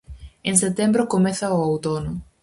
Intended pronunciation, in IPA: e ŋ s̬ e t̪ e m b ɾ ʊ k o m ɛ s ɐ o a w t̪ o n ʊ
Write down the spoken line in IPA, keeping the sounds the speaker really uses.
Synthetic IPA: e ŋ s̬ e t̪ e m b ɾ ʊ k o m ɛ θ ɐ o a w t̪ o n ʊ